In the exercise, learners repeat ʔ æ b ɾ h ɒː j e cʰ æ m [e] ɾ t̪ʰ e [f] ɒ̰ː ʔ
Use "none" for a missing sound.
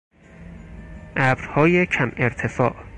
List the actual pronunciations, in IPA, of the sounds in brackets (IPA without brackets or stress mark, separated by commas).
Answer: e, f